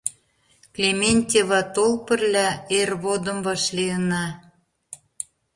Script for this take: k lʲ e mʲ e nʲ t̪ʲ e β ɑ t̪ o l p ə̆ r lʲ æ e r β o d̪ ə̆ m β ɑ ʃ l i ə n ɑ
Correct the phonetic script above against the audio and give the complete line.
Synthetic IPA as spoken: k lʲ e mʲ e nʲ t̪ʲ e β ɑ t̪ o l p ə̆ r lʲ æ e r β o d̪ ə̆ m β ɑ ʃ l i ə n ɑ